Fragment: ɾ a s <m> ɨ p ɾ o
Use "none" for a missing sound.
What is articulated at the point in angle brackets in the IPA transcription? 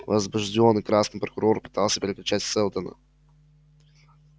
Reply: n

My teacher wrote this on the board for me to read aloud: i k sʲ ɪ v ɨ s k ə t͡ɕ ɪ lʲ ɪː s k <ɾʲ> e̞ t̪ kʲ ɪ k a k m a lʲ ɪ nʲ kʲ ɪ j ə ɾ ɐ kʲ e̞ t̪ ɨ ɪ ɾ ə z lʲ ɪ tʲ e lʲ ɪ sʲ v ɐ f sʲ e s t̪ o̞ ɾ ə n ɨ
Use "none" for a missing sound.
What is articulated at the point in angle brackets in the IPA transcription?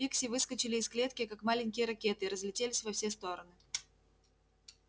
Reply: lʲ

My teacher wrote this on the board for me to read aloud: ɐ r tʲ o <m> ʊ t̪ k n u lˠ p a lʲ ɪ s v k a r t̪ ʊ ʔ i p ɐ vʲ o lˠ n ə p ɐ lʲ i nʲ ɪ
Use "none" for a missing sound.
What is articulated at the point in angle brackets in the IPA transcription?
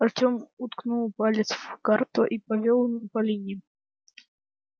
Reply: m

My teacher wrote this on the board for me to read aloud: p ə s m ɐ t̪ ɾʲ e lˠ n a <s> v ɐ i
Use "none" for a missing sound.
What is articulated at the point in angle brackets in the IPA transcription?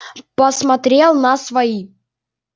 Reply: s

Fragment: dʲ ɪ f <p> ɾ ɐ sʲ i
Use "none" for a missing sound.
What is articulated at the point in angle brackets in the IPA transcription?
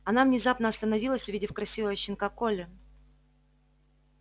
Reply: k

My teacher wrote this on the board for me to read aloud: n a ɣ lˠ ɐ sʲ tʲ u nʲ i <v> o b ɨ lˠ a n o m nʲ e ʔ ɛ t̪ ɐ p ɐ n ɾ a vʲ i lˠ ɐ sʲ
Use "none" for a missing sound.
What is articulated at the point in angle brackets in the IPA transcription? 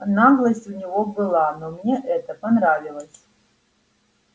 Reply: v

